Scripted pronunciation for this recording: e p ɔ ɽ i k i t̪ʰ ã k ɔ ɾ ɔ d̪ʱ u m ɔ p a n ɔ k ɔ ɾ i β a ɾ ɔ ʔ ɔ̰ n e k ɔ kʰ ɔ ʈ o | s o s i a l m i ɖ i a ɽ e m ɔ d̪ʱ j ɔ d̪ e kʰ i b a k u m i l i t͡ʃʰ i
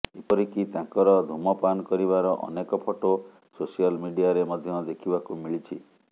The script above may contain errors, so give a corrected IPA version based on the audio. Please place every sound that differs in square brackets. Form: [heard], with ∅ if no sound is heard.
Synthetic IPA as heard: e p ɔ [ɾ] i k i [t̪] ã k ɔ ɾ ɔ d̪ʱ u m ɔ p a n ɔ k ɔ ɾ i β a ɾ ɔ ʔ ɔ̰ n e k ɔ [pʰ] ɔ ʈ o | s o s i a l m i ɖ i a [ɾ] e m ɔ d̪ʱ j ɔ d̪ e kʰ i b a k u m i [ɭ] i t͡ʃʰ i

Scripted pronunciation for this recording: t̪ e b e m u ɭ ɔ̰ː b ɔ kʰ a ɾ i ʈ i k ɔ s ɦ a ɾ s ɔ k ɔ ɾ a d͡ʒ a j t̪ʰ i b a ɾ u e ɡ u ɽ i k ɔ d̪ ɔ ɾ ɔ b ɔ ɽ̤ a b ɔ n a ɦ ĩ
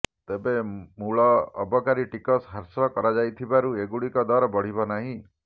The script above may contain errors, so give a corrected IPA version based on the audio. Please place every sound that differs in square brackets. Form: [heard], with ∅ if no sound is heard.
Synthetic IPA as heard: t̪ e b e m u ɭ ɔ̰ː b ɔ [k] a ɾ i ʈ i k ɔ s ɦ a ɾ s ɔ k ɔ ɾ a d͡ʒ a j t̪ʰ i b a ɾ u e ɡ u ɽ i k ɔ d̪ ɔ ɾ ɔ b ɔ ɽ̤ [i] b ɔ n a ɦ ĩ

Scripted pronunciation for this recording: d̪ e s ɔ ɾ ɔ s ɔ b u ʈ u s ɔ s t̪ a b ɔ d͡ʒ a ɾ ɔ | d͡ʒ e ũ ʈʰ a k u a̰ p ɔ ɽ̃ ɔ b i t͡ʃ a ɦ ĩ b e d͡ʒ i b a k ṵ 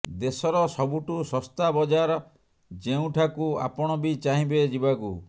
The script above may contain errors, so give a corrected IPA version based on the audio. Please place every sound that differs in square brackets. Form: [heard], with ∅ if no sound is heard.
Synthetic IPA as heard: d̪ e s ɔ ɾ ɔ s ɔ b u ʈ u s ɔ s t̪ a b ɔ d͡ʒ a ɾ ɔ | d͡ʒ e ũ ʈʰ a k u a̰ p ɔ ɽ̃ ɔ b i t͡ʃ a ɦ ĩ b e d͡ʒ i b a k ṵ

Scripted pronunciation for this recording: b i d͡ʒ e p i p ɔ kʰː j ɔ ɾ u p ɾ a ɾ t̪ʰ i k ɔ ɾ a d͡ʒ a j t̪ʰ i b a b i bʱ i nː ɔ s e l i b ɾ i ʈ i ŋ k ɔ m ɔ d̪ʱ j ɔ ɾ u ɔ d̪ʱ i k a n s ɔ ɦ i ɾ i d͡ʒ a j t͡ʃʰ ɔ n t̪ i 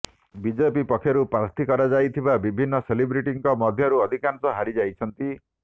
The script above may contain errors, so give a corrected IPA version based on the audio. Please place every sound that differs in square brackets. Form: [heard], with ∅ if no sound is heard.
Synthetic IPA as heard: b i d͡ʒ e p i p ɔ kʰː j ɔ ɾ u p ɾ a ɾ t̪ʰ i k ɔ ɾ a d͡ʒ a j t̪ʰ i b a b i bʱ i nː ɔ s e l i b ɾ i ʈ i ŋ k ɔ m ɔ d̪ʱ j ɔ ɾ u ɔ d̪ʱ i k a n s ɔ ɦ [a] ɾ i d͡ʒ a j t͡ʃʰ ɔ n t̪ i

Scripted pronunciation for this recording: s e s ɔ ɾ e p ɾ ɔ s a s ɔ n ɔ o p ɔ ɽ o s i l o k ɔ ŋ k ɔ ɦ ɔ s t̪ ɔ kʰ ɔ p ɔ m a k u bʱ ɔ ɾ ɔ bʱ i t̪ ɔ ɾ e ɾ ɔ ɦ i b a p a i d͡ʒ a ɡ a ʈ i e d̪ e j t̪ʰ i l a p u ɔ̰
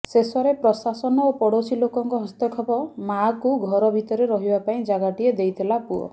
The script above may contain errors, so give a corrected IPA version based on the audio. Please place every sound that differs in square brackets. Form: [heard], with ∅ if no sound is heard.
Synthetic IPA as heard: s e s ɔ ɾ e p ɾ ɔ s a s ɔ n ɔ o p ɔ ɽ o s i l o k ɔ ŋ k ɔ ɦ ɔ s t̪ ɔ kʰ ɔ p ɔ m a k u [ɡʱ] ɔ ɾ ɔ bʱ i t̪ ɔ ɾ e ɾ ɔ ɦ i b a p a [ĩ] d͡ʒ a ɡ a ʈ i e d̪ e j t̪ʰ i l a p u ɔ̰

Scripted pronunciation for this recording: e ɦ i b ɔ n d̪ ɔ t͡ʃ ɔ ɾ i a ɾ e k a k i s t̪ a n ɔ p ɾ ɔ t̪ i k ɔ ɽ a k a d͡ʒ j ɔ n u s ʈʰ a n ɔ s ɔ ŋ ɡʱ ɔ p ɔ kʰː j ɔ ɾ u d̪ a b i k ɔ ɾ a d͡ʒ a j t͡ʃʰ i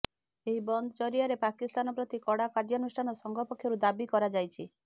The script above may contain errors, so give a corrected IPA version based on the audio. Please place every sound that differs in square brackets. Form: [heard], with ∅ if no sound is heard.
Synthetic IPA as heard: e ɦ i b ɔ n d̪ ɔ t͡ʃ ɔ ɾ i a ɾ e [p] a k i s t̪ a n ɔ p ɾ ɔ t̪ i k ɔ ɽ a k a d͡ʒ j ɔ n u s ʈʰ a n ɔ s ɔ ŋ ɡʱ ɔ p ɔ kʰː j ɔ ɾ u d̪ a b i k ɔ ɾ a d͡ʒ a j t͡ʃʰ i

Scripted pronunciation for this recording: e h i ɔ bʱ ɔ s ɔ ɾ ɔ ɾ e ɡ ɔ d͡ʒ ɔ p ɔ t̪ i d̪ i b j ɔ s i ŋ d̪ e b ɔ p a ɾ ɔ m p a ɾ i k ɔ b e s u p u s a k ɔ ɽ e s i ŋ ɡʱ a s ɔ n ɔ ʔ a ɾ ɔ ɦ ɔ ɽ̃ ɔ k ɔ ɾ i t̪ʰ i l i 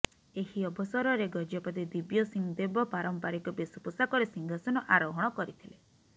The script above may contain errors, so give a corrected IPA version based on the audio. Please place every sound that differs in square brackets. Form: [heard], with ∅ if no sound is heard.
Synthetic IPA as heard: e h i ɔ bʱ ɔ s ɔ ɾ ɔ ɾ e ɡ ɔ d͡ʒ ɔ p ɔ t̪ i d̪ i b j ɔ s i ŋ d̪ e b ɔ p a ɾ ɔ m p a ɾ i k ɔ b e s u p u s a k ɔ [ɾ] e s i ŋ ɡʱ a s ɔ n ɔ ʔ a ɾ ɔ ɦ ɔ ɽ̃ ɔ k ɔ ɾ i t̪ʰ i l [e]

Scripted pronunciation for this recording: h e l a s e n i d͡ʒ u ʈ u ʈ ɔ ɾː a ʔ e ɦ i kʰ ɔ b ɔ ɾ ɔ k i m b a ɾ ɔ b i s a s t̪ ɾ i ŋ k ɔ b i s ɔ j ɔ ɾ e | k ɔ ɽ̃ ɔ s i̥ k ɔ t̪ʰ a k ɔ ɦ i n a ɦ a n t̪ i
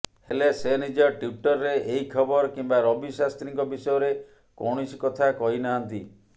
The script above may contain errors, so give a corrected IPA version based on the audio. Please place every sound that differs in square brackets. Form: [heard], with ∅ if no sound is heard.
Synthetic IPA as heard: h e l [e] s e n i d͡ʒ [ɔ] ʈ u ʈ ɔ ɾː [e] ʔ e ɦ i kʰ ɔ b ɔ ɾ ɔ k i m b a ɾ ɔ b i s a s t̪ ɾ i ŋ k ɔ b i s ɔ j ɔ ɾ e | k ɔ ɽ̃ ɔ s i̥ k ɔ t̪ʰ a k ɔ ɦ i n a ɦ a n t̪ i

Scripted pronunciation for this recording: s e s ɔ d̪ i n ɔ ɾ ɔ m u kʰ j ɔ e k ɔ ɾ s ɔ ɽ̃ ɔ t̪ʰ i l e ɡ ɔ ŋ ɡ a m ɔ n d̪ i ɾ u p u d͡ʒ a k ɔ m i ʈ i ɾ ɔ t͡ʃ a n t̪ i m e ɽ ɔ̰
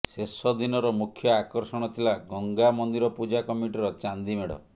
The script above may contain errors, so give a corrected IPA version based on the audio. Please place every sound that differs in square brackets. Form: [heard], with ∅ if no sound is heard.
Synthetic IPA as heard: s e s ɔ d̪ i n ɔ ɾ ɔ m u kʰ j ɔ [a] k ɔ ɾ s ɔ ɽ̃ ɔ t̪ʰ i l [a] ɡ ɔ ŋ ɡ a m ɔ n d̪ i ɾ [ɔ] p u d͡ʒ a k ɔ m i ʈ i ɾ ɔ t͡ʃ a n [d̪] i m e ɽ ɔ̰

